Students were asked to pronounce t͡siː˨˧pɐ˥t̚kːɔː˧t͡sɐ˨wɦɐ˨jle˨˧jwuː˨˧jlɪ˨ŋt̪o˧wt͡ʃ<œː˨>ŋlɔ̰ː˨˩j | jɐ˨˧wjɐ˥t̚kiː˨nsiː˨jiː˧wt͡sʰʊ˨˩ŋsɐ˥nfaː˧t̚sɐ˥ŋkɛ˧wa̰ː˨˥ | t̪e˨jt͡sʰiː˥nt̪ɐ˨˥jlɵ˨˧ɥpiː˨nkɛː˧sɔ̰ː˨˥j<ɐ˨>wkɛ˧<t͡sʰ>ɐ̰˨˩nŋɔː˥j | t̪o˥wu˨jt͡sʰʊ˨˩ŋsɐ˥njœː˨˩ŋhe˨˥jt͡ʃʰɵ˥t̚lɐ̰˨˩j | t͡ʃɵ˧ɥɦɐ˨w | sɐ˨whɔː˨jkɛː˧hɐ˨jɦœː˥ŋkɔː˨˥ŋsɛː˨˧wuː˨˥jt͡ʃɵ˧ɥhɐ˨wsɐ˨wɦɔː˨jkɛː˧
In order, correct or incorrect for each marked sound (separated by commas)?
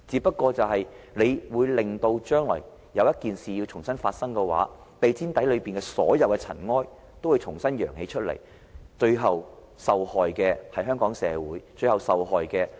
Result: incorrect, correct, correct